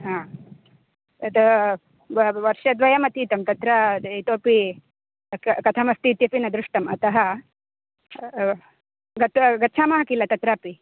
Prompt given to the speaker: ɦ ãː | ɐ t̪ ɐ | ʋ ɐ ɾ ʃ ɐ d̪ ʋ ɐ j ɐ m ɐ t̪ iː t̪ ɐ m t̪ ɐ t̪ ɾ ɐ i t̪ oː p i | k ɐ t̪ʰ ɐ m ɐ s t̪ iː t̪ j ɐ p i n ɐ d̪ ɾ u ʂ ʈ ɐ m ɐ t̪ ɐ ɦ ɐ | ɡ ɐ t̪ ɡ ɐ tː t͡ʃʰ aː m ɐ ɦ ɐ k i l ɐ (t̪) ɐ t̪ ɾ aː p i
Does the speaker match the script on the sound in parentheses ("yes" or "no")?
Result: yes